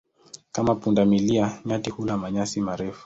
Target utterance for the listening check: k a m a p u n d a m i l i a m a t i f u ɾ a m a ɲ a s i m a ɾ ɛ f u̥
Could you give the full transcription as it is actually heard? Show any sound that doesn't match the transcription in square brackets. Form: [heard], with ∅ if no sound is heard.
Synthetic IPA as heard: k a m a p u n d a m i l i a [ɲ] a t i [h] u [l] a m a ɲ a s i m a ɾ ɛ f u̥